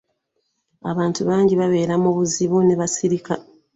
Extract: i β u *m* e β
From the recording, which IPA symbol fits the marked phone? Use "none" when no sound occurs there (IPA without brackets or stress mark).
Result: n